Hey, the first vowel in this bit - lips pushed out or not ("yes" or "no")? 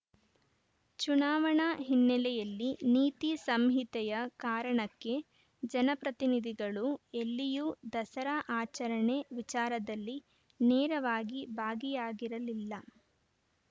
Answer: yes